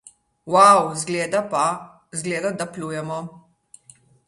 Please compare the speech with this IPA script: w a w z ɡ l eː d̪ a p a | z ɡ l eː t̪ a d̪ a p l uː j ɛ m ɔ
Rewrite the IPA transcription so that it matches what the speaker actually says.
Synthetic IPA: w a w z ɡ l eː d̪ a p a | z ɡ l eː d̪ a d̪ a p l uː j ɛ m ɔ